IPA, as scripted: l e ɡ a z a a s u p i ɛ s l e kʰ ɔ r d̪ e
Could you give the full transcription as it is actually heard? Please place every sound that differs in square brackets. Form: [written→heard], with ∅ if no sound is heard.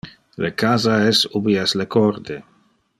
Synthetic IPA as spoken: l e [ɡ→k] a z a [a→ɛ] s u [p→b] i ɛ s l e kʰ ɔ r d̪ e